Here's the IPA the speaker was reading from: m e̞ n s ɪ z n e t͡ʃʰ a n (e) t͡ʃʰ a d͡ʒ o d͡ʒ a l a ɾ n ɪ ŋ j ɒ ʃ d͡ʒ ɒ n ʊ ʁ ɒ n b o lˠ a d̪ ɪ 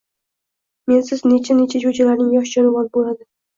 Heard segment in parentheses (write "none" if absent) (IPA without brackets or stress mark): e